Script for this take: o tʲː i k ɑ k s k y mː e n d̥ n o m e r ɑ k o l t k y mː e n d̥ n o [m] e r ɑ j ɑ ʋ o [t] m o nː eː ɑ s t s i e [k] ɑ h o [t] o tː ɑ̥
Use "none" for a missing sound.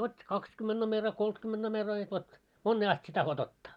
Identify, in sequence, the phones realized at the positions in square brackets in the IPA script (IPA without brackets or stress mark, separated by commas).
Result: m, t, t, t